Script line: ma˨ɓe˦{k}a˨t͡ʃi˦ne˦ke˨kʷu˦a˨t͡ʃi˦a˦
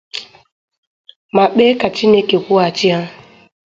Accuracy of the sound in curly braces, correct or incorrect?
correct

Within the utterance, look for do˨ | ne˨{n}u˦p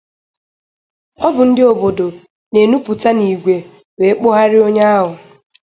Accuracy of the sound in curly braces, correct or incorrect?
correct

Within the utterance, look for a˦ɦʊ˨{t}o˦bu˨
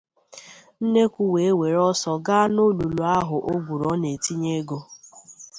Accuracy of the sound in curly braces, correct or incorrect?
incorrect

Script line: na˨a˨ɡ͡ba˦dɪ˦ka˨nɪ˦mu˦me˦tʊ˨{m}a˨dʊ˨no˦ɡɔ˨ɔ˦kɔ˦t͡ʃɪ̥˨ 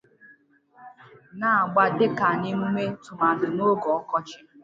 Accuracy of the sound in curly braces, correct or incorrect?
correct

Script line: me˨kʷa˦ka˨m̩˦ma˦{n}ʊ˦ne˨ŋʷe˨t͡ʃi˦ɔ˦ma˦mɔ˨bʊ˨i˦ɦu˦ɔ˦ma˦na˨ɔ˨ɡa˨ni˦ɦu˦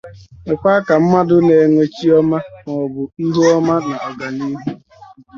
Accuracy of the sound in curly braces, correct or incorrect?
incorrect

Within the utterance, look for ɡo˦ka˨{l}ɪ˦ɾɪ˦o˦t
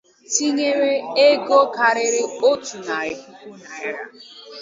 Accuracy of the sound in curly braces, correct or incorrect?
incorrect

